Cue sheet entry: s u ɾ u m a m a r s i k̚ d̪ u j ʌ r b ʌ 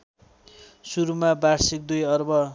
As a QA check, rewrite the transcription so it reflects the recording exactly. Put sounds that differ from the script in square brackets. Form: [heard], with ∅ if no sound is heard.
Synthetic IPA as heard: s u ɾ u m a [b] a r s i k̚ d̪ u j ʌ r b ʌ